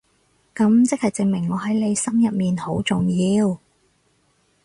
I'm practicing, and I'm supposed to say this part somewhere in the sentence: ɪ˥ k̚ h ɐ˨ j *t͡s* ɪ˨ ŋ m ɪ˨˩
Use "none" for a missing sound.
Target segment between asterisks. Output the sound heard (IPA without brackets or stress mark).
t͡s